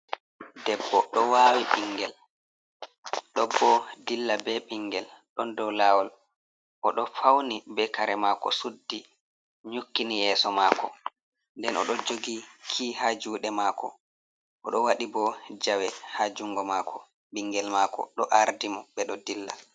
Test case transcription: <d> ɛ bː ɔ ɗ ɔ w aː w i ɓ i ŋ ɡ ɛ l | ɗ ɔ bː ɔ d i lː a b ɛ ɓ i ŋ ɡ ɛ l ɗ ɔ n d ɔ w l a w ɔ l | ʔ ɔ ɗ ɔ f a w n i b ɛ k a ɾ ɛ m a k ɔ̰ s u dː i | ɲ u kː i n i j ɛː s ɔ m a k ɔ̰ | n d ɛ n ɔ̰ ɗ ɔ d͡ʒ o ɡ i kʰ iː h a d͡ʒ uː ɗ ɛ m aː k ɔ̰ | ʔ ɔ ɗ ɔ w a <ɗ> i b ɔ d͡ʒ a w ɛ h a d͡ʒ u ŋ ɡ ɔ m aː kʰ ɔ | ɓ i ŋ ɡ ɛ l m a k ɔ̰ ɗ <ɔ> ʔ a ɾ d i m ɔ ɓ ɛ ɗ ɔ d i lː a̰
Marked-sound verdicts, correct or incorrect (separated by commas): correct, correct, correct